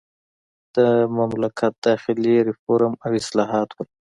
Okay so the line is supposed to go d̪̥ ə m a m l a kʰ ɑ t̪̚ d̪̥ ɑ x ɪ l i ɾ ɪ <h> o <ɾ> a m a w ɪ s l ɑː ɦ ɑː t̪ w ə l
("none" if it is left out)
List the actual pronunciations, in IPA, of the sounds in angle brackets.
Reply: f, ɾ

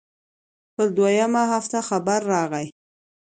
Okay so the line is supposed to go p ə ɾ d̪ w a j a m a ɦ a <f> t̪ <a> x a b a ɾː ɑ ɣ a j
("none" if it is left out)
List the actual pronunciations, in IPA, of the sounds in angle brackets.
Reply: f, a

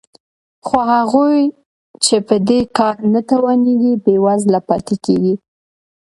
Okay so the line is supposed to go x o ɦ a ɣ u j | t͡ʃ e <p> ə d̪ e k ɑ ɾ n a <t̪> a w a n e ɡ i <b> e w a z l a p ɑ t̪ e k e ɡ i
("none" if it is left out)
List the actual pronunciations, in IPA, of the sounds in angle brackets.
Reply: p, t̪, b

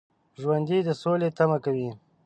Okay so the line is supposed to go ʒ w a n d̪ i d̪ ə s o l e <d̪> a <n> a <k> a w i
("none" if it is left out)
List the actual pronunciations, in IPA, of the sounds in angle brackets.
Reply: t̪, m, k

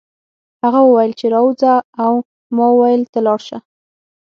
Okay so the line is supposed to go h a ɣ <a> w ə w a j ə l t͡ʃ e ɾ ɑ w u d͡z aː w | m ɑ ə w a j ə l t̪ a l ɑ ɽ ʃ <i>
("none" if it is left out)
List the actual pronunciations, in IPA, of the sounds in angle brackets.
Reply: a, a

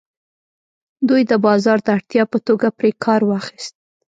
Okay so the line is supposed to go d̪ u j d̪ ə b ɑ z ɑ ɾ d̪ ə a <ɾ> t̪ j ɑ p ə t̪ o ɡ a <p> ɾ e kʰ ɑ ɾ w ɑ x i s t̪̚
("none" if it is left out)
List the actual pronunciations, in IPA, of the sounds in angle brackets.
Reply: ɽ, p

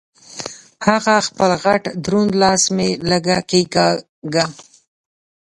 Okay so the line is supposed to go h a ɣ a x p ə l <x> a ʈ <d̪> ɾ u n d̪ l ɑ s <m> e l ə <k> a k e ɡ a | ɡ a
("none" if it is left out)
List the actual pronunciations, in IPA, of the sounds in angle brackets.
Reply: ɣ, d̪, m, ɡ

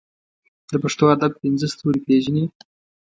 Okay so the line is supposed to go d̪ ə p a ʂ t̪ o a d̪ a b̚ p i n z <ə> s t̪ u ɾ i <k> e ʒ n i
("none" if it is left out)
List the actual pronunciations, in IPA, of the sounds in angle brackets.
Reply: ə, p

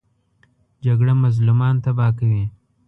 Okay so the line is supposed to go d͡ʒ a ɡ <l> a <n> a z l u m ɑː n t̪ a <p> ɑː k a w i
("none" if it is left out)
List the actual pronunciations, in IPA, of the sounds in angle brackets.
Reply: ɽ, m, b

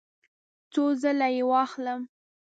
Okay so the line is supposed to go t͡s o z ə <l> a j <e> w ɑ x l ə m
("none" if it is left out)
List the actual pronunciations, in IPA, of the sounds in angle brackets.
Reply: l, e

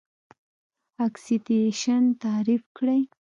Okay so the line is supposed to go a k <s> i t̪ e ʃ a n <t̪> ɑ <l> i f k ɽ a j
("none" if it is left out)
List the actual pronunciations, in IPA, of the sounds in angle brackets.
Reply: s, t̪, ɾ

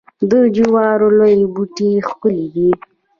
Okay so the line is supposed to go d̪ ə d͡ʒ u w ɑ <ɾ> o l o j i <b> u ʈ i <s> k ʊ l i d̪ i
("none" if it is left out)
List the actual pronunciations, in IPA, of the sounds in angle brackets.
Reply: ɾ, b, x

